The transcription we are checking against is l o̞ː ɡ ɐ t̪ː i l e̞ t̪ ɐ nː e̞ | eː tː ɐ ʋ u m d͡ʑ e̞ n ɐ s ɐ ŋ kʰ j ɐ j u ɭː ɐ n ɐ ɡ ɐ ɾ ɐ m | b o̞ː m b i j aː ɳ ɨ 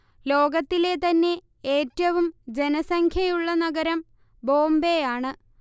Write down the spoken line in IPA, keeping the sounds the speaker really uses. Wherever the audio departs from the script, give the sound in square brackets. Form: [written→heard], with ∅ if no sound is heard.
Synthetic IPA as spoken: l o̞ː ɡ ɐ t̪ː i l e̞ t̪ ɐ nː e̞ | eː tː ɐ ʋ u m d͡ʑ e̞ n ɐ s ɐ ŋ kʰ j ɐ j u ɭː ɐ n ɐ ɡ ɐ ɾ ɐ m | b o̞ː m b [i→e] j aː ɳ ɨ